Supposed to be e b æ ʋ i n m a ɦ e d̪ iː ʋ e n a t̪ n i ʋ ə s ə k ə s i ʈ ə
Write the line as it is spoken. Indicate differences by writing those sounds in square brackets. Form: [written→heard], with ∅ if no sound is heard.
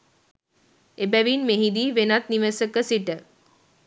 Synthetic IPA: e b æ ʋ i n m [a→e] ɦ [e→i] d̪ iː ʋ e n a t̪ n i ʋ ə s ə k ə s i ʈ ə